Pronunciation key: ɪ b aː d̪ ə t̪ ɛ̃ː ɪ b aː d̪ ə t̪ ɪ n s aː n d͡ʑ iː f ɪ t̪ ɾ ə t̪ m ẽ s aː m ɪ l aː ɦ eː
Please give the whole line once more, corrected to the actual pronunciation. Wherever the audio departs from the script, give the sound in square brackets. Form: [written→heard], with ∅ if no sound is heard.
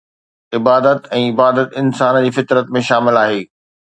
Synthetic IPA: ɪ b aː d̪ ə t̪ ɛ̃ː ɪ b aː d̪ ə t̪ ɪ n s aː n d͡ʑ iː f ɪ t̪ ɾ ə t̪ m ẽ [s→ʃ] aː m ɪ l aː ɦ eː